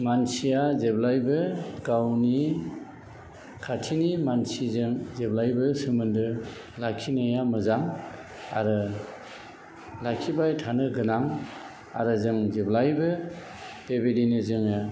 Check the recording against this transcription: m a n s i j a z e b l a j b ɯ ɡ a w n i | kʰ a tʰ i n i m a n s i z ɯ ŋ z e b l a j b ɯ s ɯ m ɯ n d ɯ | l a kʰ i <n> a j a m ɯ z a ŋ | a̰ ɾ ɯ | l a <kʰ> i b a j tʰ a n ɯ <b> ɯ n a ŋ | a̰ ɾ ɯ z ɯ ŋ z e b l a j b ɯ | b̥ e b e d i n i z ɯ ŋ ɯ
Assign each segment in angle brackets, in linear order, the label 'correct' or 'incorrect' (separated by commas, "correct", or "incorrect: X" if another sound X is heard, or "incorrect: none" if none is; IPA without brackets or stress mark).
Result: correct, correct, incorrect: ɡ